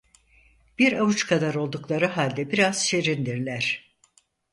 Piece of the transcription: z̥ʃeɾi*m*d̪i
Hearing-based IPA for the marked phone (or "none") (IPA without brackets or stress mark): n